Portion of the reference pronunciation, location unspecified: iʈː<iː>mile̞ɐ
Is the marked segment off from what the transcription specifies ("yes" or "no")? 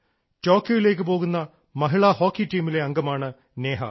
no